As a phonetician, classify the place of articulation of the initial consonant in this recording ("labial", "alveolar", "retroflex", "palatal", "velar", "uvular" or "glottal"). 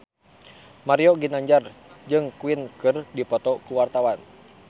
labial